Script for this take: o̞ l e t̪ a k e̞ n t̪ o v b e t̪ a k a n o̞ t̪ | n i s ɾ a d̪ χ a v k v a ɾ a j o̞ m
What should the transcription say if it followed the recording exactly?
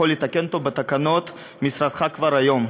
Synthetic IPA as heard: o̞ l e t̪ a k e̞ n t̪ o v b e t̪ a k a n o̞ t̪ | m i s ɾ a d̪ χ a k v a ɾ a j o̞ m